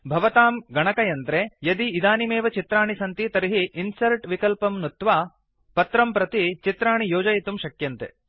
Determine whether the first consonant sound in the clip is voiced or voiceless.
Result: voiced